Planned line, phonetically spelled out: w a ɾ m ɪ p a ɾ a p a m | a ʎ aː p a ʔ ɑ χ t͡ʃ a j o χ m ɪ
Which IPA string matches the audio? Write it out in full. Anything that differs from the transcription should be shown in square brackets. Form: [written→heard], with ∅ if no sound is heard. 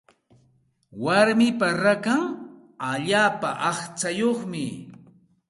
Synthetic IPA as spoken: w a ɾ m ɪ p a ɾ a [p→k] a [m→ŋ] | a ʎ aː p a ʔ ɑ χ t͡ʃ a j o χ m ɪ